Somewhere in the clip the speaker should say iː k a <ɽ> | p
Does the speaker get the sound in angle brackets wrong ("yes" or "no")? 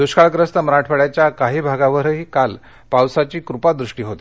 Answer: yes